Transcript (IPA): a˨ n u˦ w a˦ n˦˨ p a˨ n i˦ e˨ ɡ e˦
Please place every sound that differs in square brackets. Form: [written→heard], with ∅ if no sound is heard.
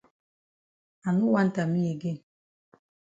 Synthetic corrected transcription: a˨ n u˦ w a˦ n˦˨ [p→t] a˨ [n→m] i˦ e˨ ɡ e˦

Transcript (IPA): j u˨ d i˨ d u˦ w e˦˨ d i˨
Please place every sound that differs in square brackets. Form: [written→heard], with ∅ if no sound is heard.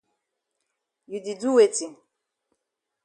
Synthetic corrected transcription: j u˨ d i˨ d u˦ w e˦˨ [d→t] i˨

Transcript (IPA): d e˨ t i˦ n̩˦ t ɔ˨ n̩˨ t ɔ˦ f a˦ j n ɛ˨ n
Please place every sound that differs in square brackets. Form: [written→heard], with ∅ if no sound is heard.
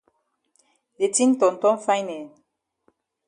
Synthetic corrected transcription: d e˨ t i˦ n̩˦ t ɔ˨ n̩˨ t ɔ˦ f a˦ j n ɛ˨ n

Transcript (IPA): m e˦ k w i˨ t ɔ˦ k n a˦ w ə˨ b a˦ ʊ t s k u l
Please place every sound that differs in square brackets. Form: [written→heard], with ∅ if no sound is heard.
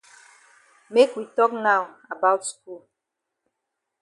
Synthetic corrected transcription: m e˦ k w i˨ t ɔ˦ k n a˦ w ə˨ b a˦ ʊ t s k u l

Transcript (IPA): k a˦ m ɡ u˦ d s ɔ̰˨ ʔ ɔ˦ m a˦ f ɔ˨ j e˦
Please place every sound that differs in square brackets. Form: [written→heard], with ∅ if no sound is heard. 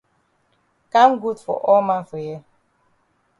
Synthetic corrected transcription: k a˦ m ɡ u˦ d [s→f] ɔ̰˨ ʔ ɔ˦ m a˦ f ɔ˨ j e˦

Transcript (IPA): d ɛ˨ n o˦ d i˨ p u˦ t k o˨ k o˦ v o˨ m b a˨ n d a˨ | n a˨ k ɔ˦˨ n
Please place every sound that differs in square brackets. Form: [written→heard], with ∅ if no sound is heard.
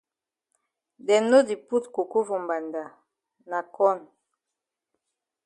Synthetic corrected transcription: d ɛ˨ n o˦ d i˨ p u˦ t k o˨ k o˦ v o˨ m b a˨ n d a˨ | n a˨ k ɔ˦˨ n

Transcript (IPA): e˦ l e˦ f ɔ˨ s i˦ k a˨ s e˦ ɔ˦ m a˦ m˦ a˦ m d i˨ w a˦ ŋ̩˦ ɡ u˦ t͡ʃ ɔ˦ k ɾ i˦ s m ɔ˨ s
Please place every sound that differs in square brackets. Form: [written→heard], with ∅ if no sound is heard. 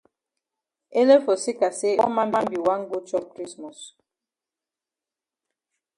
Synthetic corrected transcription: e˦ l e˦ f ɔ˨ s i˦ k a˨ s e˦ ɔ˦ m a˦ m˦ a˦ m [d→b] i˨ w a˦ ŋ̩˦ ɡ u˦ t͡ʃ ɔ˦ k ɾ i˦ s m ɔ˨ s

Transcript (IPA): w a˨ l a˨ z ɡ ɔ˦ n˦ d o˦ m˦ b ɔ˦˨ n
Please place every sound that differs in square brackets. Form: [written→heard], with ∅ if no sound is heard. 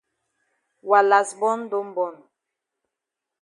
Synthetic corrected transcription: w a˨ l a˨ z [ɡ→b] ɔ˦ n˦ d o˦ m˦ b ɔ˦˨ n

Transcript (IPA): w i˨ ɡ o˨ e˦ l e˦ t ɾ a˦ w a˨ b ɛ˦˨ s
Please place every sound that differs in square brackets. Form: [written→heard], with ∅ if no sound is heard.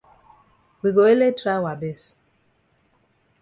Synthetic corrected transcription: w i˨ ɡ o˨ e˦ l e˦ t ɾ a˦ w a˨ b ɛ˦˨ s

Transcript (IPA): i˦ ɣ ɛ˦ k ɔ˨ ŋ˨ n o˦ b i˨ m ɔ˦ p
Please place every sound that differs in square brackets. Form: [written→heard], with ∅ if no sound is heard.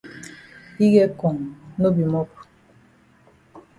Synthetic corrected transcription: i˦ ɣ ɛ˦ k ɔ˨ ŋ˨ n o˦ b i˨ m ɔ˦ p

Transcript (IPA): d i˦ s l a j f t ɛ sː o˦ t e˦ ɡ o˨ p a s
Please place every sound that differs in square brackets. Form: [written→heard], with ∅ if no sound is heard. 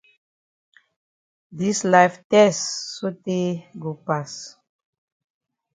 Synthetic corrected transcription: d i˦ s l a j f t ɛ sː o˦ t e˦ ɡ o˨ p a s

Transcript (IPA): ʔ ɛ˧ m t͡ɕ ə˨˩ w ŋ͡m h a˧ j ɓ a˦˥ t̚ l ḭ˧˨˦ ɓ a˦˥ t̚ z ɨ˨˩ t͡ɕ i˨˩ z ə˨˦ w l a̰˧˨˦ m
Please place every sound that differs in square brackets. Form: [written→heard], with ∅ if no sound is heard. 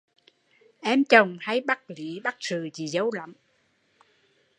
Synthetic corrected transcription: ʔ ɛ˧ m t͡ɕ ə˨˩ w ŋ͡m h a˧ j ɓ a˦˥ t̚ l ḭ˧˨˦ ɓ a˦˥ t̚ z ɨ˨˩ t͡ɕ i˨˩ z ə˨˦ w l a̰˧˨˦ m

